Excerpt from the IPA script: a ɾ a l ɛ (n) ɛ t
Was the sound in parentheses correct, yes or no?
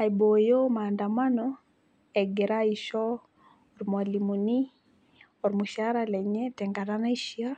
no